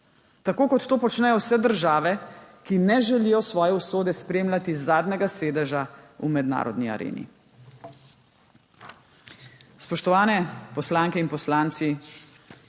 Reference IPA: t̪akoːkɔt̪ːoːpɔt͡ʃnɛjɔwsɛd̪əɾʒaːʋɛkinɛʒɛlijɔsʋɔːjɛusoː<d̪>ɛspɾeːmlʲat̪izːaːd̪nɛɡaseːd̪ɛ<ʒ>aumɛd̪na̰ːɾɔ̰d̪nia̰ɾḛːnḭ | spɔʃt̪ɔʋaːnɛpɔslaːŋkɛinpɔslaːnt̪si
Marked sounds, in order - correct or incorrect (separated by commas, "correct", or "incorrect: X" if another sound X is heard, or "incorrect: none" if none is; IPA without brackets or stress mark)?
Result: correct, correct